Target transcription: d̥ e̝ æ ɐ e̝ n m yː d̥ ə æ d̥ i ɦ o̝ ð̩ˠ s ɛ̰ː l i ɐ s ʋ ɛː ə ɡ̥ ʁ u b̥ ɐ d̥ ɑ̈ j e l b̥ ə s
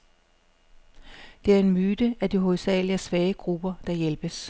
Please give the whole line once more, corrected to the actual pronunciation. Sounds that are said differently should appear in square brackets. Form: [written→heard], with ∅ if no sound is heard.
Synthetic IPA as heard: d̥ e̝ æ ɐ e̝ n m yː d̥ ə æ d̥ i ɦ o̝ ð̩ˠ s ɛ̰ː l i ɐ s ʋ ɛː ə ɡ̥ ʁ u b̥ ɐ d̥ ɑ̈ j e l b̥ ə s